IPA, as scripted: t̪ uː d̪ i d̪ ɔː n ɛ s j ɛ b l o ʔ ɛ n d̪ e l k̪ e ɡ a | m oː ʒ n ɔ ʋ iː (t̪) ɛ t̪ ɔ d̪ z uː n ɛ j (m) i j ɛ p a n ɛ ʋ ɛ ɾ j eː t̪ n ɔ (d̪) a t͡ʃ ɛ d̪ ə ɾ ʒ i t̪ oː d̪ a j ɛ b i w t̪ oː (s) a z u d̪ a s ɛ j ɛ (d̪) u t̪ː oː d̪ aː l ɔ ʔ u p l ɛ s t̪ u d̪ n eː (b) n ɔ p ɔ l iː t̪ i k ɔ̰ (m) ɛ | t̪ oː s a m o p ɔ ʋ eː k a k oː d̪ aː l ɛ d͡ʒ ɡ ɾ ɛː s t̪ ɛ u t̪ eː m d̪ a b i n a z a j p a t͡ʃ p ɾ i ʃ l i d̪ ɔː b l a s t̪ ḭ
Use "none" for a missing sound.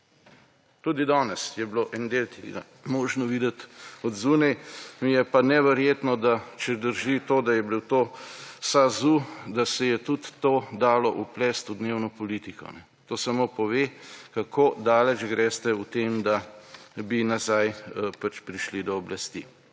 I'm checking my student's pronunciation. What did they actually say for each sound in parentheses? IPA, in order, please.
d̪, m, d̪, s, t̪, w, n

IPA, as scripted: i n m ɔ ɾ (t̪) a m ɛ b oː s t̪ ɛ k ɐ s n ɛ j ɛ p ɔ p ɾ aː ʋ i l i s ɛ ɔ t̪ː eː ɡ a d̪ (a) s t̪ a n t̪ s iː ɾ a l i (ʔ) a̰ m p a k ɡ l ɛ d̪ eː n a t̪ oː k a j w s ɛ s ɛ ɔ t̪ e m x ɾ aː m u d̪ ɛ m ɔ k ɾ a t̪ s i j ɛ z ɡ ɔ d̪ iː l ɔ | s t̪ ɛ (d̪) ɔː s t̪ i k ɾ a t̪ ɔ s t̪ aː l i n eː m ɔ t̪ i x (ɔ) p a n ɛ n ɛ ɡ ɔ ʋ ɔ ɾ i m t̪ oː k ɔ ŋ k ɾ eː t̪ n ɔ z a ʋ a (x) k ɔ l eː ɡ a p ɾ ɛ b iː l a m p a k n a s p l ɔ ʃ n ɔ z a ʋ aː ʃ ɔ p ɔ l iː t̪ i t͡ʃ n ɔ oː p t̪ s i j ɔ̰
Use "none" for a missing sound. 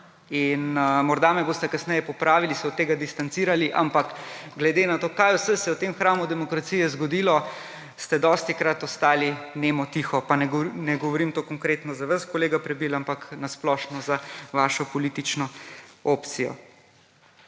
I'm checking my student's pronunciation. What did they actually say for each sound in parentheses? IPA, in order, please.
d̪, i, ʔ, d̪, ɔ, s

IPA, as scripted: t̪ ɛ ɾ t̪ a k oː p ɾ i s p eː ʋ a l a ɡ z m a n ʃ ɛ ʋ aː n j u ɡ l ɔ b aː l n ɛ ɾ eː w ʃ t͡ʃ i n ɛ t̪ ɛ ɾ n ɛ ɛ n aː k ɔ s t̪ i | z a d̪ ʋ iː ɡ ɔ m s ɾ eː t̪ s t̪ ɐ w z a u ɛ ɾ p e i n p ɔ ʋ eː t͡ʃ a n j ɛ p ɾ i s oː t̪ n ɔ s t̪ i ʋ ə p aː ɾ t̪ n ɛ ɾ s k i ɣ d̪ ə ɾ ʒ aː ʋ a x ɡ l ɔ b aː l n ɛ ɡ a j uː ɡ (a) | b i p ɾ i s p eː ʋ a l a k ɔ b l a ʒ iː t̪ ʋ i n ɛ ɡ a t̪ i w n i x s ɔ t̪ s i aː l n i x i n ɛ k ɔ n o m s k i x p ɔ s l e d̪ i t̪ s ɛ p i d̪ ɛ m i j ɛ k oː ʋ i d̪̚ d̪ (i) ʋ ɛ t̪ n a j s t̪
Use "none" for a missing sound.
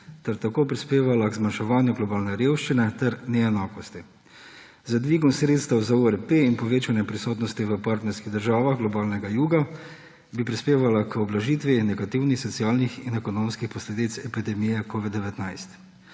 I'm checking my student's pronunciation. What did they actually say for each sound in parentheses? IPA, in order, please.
a, ɛ

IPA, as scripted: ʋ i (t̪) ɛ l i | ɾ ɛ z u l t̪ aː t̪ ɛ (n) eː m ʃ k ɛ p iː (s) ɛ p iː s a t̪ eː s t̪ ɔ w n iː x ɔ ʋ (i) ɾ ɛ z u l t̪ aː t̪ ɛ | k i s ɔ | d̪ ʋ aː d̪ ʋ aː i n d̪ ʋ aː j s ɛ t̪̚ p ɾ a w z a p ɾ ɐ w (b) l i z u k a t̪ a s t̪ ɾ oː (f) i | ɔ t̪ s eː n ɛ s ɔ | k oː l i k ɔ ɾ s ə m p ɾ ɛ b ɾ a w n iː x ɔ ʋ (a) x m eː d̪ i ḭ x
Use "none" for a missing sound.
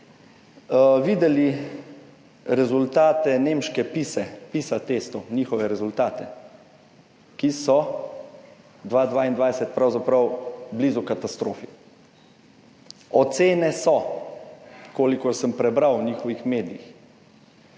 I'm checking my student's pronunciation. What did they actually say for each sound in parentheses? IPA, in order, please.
d̪, n, s, ɛ, b, f, i

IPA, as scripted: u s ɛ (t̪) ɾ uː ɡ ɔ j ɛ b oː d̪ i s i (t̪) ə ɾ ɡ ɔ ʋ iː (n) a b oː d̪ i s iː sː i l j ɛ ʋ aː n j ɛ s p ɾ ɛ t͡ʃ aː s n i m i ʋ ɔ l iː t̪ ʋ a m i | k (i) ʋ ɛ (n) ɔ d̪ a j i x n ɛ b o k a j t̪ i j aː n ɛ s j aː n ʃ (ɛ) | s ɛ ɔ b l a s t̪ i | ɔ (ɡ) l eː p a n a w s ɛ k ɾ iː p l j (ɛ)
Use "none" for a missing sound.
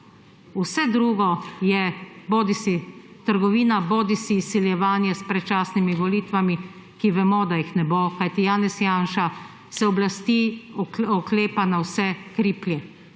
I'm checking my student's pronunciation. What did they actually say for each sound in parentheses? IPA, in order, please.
d̪, t̪, n, i, m, a, k, ɛ

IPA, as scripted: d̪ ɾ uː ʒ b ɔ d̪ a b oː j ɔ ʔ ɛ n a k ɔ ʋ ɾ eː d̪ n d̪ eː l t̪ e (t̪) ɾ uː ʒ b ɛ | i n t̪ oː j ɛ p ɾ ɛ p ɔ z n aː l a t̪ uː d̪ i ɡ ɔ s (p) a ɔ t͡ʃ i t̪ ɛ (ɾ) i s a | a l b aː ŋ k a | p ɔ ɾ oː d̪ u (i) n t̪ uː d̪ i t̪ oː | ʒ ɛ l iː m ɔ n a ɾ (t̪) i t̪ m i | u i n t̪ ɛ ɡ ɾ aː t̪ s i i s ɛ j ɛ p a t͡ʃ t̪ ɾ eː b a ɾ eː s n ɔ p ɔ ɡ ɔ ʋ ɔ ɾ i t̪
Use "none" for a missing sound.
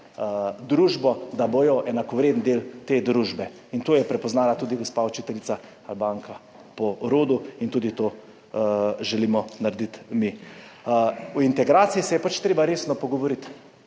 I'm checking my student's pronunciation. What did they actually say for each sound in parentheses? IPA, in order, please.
d̪, p, l, i, d̪

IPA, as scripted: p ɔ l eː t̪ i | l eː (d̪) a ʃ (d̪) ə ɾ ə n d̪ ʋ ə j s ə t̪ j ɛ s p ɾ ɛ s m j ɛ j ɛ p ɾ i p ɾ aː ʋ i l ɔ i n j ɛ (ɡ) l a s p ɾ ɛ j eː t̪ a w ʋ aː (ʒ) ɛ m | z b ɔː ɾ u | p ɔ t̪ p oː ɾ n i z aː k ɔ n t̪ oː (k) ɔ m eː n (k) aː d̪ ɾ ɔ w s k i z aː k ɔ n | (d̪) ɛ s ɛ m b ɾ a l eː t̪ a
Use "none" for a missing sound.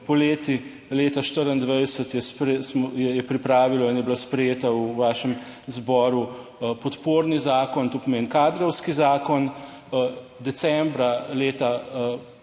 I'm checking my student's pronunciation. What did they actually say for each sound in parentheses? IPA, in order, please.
t̪, t̪, b, ʃ, p, k, d̪

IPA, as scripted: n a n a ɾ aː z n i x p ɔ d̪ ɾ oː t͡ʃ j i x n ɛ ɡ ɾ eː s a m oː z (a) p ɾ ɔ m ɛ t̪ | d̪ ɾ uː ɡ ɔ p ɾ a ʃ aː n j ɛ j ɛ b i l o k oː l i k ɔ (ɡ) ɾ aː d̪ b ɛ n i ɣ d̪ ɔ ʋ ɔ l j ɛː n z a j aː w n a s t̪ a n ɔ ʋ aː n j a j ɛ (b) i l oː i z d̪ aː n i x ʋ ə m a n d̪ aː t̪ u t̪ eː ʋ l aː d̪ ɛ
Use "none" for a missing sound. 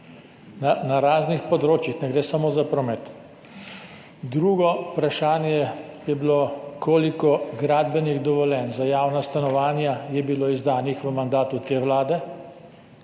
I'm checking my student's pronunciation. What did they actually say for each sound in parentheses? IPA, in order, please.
a, ɡ, b

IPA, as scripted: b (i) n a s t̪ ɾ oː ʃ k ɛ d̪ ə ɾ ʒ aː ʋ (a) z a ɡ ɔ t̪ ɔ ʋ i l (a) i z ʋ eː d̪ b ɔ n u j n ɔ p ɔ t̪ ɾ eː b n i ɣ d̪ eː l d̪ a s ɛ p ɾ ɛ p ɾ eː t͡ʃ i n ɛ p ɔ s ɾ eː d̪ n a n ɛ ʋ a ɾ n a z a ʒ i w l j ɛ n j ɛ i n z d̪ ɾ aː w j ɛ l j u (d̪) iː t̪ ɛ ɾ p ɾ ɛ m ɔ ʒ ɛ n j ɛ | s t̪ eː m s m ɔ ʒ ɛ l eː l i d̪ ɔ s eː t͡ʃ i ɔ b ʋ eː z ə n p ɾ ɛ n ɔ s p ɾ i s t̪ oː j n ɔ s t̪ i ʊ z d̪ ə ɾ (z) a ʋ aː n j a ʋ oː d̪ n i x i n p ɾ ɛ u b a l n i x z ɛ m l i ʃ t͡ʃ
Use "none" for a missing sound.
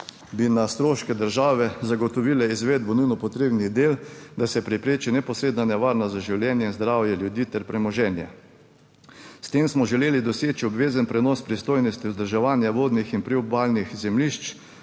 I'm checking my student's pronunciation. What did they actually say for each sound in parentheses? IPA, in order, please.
i, ɛ, ɛ, d̪, ʒ

